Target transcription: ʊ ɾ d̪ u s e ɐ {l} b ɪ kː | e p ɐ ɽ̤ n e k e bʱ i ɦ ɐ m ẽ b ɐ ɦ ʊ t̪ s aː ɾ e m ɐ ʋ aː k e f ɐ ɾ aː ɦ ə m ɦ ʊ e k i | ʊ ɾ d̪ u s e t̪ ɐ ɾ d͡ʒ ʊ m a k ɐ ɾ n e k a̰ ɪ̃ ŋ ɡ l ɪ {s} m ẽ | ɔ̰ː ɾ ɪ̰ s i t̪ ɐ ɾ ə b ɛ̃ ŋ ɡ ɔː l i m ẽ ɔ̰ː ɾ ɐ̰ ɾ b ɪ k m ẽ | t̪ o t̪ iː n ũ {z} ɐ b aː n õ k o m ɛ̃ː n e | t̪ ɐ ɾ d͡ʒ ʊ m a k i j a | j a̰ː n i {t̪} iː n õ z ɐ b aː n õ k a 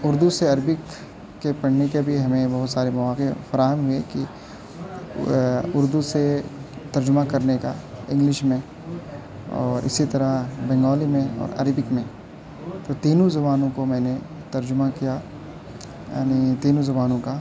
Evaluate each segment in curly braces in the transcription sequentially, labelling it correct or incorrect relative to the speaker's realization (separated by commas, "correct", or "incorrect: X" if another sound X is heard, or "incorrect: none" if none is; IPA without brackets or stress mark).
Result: incorrect: ɾ, incorrect: ʃ, correct, correct